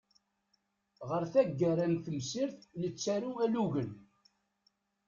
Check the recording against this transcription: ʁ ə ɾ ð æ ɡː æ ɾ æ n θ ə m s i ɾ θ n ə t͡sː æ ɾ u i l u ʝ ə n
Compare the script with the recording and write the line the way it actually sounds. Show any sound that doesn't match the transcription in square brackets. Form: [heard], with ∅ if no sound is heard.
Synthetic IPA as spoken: ʁ ə ɾ [θ] æ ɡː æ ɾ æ n θ ə m s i ɾ θ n ə t͡sː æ ɾ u [æ] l u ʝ ə n